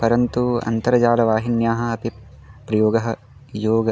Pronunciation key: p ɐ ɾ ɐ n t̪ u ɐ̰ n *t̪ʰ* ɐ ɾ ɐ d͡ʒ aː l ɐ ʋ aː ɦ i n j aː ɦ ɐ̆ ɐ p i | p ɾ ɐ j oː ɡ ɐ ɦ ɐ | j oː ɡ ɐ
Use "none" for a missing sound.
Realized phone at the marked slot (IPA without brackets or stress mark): t̪